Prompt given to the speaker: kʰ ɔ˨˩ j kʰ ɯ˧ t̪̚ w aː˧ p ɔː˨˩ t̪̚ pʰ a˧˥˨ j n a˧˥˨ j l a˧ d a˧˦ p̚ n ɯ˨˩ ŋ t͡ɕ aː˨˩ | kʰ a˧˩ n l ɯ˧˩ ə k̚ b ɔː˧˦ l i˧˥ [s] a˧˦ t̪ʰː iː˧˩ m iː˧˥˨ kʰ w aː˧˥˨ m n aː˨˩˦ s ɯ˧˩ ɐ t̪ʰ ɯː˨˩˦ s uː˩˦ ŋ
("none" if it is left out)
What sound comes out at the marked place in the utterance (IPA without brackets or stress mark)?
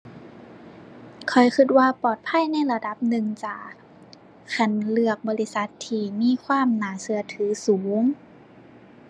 s